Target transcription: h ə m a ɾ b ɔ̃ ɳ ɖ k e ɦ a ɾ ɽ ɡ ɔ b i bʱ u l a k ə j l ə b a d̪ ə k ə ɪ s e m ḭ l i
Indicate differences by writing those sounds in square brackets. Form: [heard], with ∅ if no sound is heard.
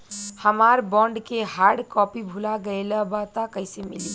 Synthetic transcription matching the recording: h ə m a ɾ b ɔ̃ ɳ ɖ k e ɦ a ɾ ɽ [k] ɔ [p] i bʱ u l a [ɡ] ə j l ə b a [t̪] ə k ə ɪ s e m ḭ l i